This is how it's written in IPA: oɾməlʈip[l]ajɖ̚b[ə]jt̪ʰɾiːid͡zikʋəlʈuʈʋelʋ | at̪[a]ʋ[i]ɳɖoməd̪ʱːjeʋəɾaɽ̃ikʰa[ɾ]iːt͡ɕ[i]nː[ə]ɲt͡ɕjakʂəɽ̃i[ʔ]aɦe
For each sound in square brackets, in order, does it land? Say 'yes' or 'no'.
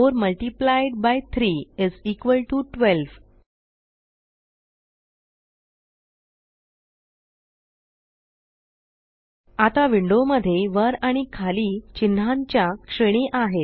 yes, no, yes, yes, no, yes, no, yes

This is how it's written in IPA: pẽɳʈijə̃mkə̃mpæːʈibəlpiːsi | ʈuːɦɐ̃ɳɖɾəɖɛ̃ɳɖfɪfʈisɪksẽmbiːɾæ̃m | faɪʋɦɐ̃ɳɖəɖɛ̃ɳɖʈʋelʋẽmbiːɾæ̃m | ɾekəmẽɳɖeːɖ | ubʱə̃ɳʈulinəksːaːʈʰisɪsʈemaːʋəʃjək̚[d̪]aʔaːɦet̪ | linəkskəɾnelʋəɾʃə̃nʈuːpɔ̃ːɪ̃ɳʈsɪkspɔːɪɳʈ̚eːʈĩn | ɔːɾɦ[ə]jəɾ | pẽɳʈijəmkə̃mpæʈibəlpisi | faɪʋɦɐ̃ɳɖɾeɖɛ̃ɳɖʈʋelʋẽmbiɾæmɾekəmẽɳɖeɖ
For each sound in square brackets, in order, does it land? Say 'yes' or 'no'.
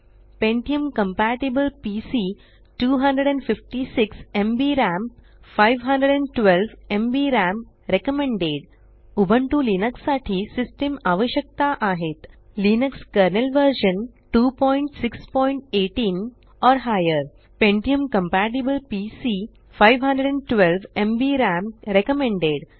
no, no

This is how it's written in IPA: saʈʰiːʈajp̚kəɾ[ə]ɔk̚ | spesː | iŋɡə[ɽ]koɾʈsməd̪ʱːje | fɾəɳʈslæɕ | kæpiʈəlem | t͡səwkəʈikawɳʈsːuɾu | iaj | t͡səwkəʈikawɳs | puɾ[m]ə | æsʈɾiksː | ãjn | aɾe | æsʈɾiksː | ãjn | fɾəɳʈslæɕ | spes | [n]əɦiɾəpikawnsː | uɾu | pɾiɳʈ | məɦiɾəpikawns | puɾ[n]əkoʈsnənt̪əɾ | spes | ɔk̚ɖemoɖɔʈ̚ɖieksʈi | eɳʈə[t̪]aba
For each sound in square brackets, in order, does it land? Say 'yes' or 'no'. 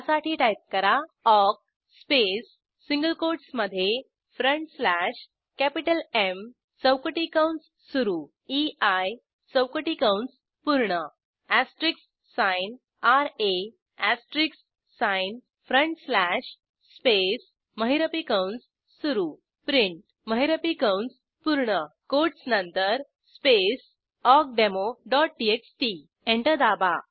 no, no, no, no, no, no

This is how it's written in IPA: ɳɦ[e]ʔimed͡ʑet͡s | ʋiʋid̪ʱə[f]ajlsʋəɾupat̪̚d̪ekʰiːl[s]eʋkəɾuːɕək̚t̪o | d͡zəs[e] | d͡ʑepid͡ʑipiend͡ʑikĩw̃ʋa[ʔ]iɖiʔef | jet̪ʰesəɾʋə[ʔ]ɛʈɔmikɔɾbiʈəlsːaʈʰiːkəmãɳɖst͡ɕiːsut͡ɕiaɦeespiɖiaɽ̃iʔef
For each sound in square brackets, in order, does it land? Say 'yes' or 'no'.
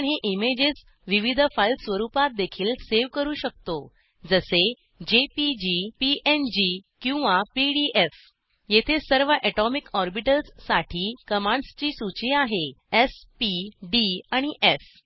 yes, yes, yes, yes, no, yes

